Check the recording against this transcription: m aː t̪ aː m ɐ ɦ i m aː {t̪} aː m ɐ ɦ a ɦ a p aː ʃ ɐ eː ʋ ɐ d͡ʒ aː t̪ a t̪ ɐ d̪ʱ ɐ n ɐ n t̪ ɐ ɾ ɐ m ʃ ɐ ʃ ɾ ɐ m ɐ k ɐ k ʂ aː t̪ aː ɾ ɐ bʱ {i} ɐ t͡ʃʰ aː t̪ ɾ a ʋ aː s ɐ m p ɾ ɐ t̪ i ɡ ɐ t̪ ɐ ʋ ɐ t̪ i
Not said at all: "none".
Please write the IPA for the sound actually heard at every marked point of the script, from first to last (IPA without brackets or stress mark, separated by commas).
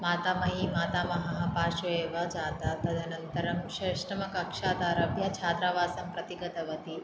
t̪, j